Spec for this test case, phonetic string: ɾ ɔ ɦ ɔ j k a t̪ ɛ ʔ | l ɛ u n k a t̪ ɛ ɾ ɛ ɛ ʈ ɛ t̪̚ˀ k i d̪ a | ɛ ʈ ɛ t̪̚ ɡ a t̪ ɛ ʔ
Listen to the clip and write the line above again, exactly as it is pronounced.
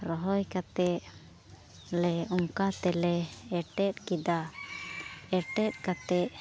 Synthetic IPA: ɾ ɔ ɦ ɔ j k a t̪ ɛ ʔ | l ɛ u ŋ k a t̪ ɛ l ɛ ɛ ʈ ɛ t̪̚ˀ k i d̪ a | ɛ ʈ ɛ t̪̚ k a t̪ ɛ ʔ

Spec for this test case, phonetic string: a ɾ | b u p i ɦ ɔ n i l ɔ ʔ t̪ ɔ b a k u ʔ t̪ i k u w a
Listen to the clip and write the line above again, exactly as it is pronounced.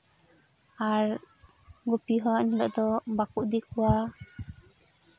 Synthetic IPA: a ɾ | ɡ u p i ɦ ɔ n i l ɔ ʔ d̪ ɔ b a k u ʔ d̪ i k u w a

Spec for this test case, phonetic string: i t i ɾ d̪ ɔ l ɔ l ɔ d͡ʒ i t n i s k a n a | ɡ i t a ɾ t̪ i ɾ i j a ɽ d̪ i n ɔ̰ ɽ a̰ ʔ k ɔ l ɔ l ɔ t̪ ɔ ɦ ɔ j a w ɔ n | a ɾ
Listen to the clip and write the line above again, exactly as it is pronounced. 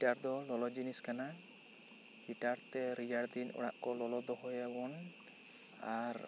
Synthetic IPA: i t a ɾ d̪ ɔ l ɔ l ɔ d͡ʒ i n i s k a n a | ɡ i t a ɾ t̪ ɛ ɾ i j a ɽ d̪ i n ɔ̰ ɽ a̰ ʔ k ɔ l ɔ l ɔ d̪ ɔ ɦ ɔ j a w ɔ n | a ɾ

